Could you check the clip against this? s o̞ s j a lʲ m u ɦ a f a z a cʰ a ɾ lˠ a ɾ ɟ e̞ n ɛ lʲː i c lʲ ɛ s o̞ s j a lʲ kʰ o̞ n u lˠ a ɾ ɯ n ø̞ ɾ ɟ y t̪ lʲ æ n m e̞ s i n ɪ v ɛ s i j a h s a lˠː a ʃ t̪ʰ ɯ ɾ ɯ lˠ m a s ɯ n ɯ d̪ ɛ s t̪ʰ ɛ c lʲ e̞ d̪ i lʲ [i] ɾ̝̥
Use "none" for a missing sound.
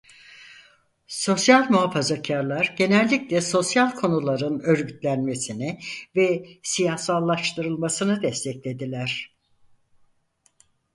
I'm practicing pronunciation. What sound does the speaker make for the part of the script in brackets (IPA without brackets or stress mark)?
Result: æ